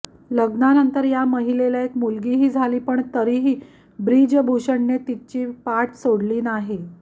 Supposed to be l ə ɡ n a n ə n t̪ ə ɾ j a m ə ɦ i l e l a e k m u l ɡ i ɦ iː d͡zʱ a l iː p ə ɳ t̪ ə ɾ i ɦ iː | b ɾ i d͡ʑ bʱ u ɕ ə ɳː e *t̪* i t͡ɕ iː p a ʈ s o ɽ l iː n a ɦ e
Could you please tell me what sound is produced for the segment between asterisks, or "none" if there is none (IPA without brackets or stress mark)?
t̪